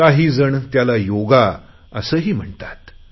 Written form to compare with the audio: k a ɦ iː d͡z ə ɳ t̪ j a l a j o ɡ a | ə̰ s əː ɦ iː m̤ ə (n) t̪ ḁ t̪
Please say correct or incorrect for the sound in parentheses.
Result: incorrect